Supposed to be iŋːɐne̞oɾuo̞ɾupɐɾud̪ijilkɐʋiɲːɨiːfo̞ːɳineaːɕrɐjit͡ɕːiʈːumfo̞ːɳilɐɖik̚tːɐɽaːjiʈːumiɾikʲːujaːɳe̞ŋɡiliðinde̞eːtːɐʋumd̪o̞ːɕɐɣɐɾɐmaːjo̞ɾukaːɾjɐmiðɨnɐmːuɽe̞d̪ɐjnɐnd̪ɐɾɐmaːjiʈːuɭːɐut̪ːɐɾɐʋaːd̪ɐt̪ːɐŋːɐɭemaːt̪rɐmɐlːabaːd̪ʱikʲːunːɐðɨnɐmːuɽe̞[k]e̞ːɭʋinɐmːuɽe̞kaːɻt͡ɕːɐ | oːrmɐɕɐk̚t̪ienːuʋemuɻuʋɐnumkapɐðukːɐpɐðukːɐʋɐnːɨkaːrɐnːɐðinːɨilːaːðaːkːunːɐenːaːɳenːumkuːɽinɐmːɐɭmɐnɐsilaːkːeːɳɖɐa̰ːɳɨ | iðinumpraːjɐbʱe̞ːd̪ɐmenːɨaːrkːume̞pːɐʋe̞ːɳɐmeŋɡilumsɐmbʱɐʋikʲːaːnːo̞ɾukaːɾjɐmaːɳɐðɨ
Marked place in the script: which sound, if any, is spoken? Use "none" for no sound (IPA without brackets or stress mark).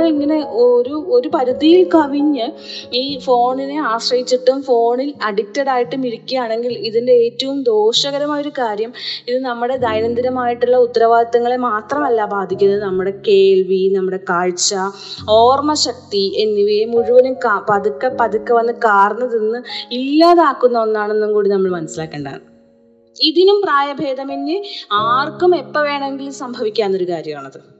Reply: k